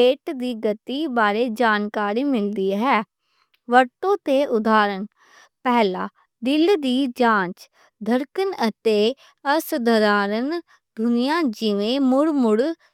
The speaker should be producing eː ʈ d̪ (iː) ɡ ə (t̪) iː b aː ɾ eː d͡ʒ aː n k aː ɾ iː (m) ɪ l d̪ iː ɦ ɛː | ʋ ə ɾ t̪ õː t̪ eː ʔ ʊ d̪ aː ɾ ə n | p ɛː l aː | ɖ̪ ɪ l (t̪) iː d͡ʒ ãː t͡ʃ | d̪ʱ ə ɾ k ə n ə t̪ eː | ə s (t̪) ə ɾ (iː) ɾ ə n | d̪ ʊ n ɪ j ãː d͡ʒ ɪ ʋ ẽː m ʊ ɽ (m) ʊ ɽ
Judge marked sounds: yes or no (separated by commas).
yes, yes, yes, no, no, no, yes